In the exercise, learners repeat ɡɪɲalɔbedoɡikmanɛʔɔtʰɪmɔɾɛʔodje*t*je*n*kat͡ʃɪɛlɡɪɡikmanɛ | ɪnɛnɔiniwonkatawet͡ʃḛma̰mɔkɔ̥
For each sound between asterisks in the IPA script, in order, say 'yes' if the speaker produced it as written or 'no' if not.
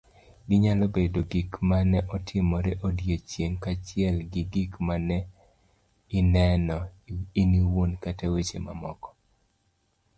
no, no

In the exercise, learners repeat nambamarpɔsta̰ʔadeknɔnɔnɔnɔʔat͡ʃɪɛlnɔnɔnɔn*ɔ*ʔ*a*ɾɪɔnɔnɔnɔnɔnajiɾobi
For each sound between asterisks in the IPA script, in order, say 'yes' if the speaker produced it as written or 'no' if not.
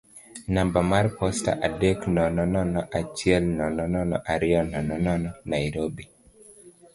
yes, yes

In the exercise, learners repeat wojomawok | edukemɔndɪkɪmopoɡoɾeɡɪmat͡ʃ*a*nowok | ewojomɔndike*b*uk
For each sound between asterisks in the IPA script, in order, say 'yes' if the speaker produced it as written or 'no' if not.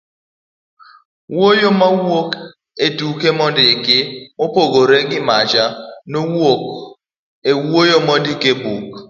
yes, yes

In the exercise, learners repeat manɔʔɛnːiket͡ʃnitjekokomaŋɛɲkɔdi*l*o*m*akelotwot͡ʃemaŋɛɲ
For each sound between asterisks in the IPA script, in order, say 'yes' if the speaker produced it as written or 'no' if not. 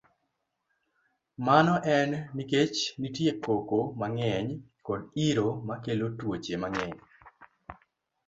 no, yes

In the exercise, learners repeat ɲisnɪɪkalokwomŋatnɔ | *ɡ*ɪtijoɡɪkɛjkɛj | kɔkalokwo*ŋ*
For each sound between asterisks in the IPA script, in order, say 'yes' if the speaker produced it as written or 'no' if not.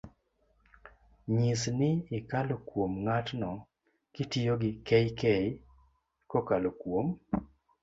no, no

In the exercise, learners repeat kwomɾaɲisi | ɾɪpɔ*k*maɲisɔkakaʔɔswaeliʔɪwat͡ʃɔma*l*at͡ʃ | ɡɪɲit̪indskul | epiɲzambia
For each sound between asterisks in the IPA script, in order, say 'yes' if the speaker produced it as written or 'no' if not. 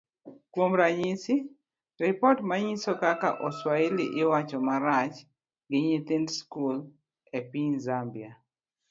no, no

